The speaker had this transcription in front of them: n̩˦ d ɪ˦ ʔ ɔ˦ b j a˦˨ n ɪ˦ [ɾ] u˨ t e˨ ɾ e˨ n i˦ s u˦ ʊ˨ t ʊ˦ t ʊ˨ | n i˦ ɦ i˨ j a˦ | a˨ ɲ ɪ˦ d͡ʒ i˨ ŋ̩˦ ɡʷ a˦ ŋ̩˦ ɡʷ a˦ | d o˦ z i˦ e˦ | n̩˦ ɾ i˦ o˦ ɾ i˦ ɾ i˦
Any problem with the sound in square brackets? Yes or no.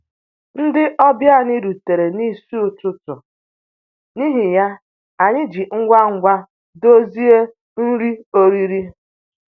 no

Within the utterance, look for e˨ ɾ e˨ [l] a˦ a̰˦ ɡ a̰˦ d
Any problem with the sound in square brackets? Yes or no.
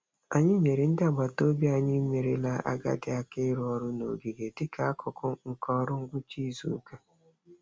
no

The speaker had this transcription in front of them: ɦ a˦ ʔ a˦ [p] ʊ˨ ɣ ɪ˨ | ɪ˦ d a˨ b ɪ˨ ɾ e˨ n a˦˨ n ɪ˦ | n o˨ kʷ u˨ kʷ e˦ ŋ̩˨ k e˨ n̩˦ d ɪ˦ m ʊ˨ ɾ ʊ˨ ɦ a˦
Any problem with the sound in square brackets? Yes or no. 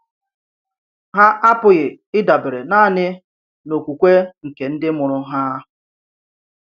no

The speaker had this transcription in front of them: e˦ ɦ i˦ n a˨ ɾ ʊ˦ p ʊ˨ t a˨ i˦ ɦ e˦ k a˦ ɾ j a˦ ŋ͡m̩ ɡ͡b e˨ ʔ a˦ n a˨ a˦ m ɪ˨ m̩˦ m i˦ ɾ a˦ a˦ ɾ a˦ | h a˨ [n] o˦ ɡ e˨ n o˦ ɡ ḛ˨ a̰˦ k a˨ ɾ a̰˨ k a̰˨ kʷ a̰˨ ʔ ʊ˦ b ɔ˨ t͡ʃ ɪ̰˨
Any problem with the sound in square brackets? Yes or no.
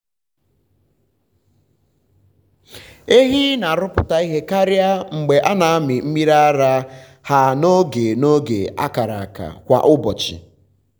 no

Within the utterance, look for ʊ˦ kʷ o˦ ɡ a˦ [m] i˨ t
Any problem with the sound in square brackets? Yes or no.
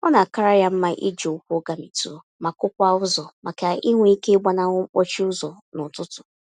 no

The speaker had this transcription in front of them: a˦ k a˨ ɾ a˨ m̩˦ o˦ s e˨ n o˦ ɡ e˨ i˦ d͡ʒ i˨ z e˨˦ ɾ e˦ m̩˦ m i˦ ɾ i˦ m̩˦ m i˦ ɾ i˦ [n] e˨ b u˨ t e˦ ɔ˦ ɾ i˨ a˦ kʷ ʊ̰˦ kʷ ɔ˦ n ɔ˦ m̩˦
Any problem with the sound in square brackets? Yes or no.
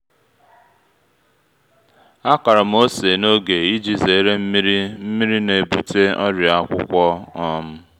no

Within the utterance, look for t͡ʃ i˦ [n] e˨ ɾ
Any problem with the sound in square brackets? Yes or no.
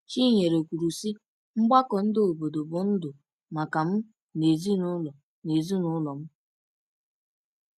yes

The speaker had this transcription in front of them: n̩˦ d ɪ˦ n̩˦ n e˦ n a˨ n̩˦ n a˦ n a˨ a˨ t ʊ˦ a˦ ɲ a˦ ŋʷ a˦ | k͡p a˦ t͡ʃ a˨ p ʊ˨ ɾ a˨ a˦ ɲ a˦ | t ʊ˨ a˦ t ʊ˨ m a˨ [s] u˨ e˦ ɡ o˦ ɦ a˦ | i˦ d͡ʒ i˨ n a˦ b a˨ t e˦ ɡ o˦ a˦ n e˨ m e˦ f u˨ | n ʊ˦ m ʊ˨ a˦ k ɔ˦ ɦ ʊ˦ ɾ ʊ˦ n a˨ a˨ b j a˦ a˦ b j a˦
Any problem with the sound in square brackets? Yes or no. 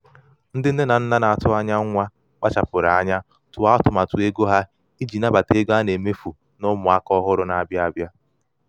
yes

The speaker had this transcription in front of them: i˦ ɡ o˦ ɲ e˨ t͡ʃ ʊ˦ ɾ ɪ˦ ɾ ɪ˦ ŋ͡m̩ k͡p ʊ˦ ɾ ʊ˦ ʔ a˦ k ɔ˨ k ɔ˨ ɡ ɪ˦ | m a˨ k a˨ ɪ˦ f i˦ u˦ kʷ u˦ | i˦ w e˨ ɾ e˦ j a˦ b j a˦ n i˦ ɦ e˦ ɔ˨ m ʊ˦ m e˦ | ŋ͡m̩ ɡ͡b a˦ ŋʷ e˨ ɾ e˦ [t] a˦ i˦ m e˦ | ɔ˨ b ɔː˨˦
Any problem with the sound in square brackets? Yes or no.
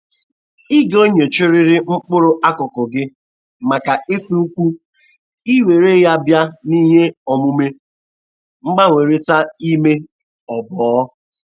no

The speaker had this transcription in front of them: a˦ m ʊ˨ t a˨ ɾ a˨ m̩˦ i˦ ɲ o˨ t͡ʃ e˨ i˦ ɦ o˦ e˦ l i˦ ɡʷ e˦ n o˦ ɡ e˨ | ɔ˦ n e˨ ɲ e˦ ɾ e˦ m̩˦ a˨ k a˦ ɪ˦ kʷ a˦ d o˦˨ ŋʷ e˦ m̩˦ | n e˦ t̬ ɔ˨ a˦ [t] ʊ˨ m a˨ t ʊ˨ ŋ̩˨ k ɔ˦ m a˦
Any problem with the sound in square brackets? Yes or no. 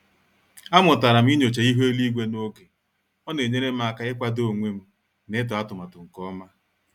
no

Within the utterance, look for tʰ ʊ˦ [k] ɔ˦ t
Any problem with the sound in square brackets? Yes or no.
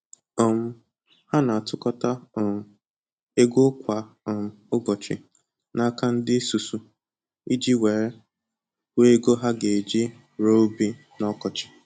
no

